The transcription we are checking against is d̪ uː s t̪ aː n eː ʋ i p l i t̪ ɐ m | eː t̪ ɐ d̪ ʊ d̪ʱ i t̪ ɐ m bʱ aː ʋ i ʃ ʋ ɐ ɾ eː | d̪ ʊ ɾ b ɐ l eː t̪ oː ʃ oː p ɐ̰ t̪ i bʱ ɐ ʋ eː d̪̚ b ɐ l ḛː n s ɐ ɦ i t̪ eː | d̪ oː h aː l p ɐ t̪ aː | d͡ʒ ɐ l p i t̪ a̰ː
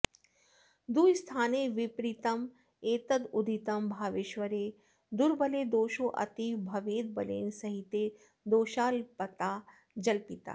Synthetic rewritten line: d̪ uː s t̪ʰ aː n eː ʋ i p ɾ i t̪ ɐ m | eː t̪ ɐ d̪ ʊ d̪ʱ i t̪ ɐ m bʱ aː ʋ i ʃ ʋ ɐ ɾ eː | d̪ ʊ ɾ b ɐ l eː d̪ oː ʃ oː ʔ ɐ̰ t̪ i bʱ ɐ ʋ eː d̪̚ b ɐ l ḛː n s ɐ ɦ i t̪ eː | d̪ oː ʃ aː l p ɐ t̪ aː | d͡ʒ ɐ l p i t̪ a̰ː